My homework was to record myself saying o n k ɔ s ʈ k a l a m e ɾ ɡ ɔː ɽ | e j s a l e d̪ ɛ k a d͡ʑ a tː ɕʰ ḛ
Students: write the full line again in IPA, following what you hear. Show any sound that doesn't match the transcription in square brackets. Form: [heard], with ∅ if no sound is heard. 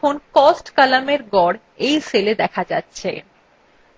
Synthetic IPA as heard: o n k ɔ s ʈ k a l a m e ɾ ɡ [ɔ] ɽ | e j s [e] l e d̪ ɛ [kʰ] a d͡ʑ a tː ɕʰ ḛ